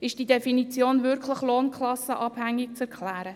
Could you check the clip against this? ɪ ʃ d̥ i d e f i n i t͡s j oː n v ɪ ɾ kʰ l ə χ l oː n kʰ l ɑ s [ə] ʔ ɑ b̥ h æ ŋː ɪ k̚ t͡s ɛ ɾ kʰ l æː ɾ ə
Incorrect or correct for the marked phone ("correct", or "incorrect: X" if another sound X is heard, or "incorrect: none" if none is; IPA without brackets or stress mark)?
correct